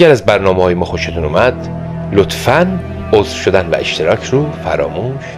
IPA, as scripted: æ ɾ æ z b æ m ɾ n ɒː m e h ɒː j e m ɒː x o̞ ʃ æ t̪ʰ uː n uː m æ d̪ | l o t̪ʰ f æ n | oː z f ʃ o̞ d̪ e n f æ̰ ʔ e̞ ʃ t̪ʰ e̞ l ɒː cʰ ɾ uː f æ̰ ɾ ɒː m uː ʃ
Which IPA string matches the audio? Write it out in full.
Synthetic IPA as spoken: æ ɾ æ z b æ ɾ n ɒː m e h ɒː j e m ɒː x o̞ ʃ e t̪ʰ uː n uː m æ d̪ | l o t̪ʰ f æ n | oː z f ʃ o̞ d̪ æ n v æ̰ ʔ e̞ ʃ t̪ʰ e̞ ɾ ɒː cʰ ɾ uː f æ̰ ɾ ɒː m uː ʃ